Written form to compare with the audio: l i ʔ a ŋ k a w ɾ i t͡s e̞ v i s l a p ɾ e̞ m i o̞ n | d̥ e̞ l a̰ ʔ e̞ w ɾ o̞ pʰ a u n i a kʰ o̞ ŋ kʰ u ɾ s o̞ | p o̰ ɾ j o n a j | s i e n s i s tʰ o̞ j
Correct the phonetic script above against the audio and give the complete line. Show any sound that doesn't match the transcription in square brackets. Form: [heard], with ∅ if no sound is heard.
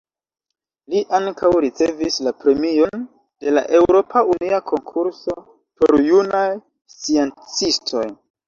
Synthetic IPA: l i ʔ a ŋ k a w ɾ i t͡s e̞ v i s l a p ɾ e̞ m i o̞ n | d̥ e̞ l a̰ ʔ e̞ w ɾ o̞ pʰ a u n i a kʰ o̞ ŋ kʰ u ɾ s o̞ | p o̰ ɾ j [u] n a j | s i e n [t͡s] i s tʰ o̞ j